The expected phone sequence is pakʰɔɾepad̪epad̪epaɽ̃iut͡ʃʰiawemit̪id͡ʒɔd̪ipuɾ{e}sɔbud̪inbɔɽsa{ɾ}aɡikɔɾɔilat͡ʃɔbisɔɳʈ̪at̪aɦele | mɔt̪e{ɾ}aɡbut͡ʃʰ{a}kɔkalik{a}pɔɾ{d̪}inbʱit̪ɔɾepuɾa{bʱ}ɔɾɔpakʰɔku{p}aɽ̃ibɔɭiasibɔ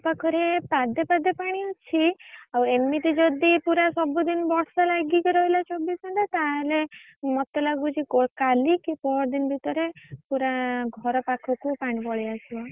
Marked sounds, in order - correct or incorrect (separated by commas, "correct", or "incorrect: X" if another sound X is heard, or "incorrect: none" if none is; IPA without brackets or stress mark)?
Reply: incorrect: a, incorrect: l, incorrect: l, incorrect: i, incorrect: i, correct, incorrect: ɡʱ, correct